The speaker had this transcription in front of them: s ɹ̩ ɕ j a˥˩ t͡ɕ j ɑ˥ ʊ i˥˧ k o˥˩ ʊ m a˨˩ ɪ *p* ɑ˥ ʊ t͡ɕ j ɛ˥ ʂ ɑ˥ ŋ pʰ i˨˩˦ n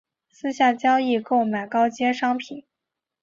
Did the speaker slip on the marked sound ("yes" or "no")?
yes